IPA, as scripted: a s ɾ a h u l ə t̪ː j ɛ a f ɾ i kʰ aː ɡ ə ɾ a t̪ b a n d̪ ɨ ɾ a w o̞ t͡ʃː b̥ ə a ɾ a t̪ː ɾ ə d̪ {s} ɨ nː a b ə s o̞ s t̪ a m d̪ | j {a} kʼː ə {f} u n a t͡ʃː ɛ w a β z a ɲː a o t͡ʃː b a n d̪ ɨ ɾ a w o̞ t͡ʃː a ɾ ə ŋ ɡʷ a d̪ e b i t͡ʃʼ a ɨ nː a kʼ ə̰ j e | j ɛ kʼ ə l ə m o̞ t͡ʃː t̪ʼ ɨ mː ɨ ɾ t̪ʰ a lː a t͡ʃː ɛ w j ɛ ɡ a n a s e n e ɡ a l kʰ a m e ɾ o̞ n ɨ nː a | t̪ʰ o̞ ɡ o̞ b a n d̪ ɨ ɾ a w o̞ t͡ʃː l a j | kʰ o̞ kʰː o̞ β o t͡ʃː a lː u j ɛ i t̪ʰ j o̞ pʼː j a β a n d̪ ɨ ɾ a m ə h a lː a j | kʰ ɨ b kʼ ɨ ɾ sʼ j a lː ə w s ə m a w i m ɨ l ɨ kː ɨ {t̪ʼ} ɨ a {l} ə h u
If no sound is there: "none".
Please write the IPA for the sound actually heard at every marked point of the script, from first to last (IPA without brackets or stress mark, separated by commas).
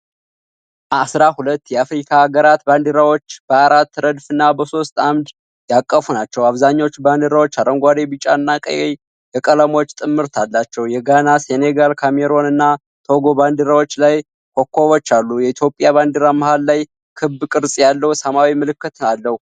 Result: f, a, f, t̪, lː